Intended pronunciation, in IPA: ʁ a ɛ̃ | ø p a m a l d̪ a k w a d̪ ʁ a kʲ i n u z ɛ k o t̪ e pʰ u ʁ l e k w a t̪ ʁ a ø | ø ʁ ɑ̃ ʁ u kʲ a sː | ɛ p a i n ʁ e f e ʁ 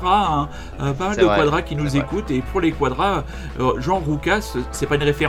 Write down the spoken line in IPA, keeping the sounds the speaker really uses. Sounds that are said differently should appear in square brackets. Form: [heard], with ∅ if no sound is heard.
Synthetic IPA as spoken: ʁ a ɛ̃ | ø p a m a l d̪ [ə] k w a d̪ ʁ a kʲ i n u z [e] k [u] t̪ e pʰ u ʁ l e k w a [d̪] ʁ a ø | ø [ʒ] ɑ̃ ʁ u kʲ a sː | ɛ p a [y] n ʁ e f e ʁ